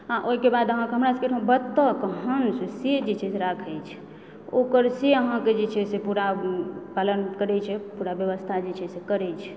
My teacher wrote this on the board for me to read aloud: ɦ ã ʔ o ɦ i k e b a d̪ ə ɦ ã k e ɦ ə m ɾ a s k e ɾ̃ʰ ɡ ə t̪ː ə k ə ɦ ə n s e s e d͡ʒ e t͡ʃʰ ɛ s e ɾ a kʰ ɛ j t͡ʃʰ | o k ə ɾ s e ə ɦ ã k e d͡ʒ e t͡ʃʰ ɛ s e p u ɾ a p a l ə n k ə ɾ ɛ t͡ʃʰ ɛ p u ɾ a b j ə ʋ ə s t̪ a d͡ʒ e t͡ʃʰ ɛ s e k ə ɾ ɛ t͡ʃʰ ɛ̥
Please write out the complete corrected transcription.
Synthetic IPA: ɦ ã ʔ o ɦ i k e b a d̪ ə ɦ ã k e ɦ ə m ɾ a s k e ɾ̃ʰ b ə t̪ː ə k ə ɦ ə n s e s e d͡ʒ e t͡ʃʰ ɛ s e ɾ a kʰ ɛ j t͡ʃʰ | o k ə ɾ s e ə ɦ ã k e d͡ʒ e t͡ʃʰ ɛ s e p u ɾ a p a l ə n k ə ɾ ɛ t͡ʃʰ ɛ p u ɾ a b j ə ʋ ə s t̪ʰ a d͡ʒ e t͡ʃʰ ɛ s e k ə ɾ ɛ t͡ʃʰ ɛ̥

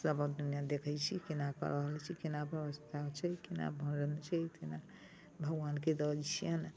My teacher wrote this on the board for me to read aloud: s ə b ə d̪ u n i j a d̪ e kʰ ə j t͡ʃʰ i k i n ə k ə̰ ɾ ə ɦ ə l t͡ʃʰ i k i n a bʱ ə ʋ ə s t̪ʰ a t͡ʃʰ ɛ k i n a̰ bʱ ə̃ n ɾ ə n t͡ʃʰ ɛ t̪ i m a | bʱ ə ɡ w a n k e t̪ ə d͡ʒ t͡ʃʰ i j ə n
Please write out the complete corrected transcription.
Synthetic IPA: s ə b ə d̪ u n i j a d̪ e kʰ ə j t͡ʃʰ i k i n a k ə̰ ɾ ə ɦ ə l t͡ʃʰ i k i n a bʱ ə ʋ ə s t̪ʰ a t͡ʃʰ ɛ k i n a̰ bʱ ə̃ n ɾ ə n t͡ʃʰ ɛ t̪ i n a | bʱ ə ɡ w a n k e d̪ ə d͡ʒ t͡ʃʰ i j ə n

